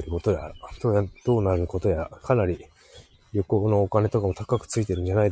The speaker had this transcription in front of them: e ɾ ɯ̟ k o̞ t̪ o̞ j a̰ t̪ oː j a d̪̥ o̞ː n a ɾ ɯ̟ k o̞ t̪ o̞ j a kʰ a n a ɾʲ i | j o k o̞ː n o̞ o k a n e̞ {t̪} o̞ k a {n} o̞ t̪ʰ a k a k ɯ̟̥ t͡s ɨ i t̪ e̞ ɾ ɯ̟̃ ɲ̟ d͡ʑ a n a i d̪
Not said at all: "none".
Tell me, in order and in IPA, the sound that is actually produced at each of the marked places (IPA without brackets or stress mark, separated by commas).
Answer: t̪, m